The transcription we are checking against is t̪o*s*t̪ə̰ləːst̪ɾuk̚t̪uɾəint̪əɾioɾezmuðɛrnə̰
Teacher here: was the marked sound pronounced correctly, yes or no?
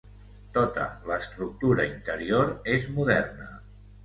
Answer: no